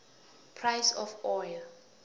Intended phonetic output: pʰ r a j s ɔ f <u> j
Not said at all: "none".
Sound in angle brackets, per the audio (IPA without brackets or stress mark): ɔ